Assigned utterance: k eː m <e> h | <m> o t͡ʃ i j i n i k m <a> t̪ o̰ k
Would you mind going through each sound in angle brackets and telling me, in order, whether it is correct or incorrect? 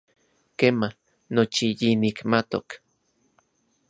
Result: incorrect, incorrect, correct

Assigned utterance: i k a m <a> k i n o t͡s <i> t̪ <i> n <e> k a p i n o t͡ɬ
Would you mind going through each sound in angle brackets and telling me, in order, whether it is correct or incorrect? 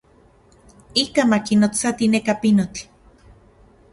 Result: correct, incorrect, correct, correct

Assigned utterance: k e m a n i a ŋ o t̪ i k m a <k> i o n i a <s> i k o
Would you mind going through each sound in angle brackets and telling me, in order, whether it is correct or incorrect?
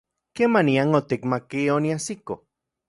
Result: correct, correct

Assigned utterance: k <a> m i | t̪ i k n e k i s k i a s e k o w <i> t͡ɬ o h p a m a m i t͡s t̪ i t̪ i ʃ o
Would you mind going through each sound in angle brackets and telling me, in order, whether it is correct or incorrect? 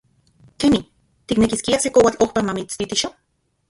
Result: incorrect, incorrect

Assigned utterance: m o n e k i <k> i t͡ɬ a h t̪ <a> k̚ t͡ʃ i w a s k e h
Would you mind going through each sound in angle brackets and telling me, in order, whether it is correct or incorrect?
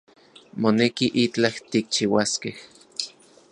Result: incorrect, incorrect

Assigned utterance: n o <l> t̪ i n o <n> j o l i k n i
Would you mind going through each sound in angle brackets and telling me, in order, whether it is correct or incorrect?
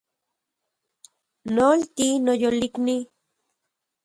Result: correct, incorrect

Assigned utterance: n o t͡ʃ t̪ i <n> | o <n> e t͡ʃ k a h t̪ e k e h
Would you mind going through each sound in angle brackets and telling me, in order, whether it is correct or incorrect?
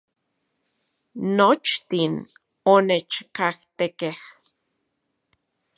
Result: correct, correct

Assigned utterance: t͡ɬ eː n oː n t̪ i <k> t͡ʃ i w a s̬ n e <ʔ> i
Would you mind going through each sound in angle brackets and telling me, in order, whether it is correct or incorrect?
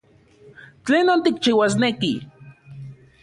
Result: correct, incorrect

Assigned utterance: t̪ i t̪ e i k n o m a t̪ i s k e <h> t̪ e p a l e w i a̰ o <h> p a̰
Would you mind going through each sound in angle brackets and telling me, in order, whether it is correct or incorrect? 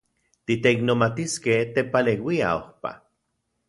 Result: correct, correct

